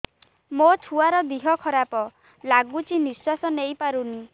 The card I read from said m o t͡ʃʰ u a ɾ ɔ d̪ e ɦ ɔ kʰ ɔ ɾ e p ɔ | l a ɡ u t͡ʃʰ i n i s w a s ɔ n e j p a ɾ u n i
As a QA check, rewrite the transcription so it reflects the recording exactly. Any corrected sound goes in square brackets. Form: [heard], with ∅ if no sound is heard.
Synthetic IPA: m o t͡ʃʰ u a ɾ ɔ d̪ [i] ɦ ɔ kʰ ɔ ɾ [a] p ɔ | l a ɡ u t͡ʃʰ i n i s w a s ɔ n e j p a ɾ u n i